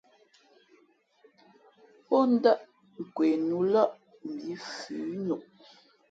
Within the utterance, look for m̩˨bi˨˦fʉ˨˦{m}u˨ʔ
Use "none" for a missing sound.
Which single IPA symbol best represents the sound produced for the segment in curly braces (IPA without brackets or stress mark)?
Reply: n